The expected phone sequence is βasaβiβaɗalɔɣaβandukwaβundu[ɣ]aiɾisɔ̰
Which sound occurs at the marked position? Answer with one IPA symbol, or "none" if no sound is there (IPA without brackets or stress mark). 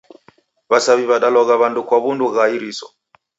ɣ